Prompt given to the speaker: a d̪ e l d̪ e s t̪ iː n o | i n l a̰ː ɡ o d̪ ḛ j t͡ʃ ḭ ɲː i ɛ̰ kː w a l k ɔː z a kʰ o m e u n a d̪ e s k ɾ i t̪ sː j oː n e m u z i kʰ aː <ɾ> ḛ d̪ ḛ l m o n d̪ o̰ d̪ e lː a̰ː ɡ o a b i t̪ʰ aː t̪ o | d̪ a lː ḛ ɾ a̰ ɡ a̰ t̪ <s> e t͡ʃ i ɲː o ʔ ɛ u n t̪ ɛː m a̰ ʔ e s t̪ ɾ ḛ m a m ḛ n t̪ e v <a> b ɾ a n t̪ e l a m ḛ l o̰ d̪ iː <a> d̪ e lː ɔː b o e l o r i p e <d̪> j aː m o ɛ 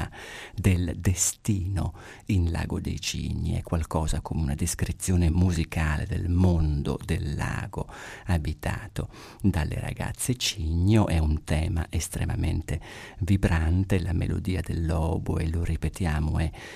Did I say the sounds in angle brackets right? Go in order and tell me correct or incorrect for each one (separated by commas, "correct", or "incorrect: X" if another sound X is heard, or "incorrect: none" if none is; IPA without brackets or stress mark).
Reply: incorrect: l, incorrect: sː, incorrect: i, correct, incorrect: t̪